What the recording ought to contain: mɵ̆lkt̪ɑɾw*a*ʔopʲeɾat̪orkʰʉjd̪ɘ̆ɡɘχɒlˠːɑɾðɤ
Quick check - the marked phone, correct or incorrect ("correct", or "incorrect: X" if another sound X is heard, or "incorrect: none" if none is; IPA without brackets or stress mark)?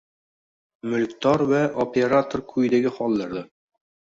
incorrect: æ